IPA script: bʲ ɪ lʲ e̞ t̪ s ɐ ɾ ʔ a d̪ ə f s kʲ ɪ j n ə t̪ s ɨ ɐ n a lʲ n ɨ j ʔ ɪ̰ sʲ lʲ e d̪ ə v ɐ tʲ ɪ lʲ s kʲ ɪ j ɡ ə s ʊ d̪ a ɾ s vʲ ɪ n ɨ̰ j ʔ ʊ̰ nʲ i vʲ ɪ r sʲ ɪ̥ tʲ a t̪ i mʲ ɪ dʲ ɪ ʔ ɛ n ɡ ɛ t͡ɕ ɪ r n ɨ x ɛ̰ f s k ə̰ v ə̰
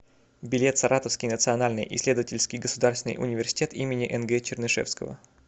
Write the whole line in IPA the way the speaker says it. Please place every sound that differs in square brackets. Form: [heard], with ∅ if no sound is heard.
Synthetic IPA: bʲ ɪ lʲ e̞ t̪ s ɐ ɾ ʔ a [t̪] ə f s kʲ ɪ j n ə t̪ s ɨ ɐ n a lʲ n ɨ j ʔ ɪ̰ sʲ lʲ e d̪ ə v [ə] tʲ ɪ lʲ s kʲ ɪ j ɡ ə s ʊ d̪ a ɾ s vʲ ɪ n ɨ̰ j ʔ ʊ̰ nʲ [ɪ] vʲ ɪ r sʲ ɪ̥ tʲ [e] t̪ i mʲ ɪ [nʲ] ɪ ʔ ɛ n ɡ ɛ t͡ɕ ɪ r n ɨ [ʂ] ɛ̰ f s k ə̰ v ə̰